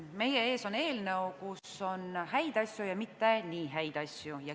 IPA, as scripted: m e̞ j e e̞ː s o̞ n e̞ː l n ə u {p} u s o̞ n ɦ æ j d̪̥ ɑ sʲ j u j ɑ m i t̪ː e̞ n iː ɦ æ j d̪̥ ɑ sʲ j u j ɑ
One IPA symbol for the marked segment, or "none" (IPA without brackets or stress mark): k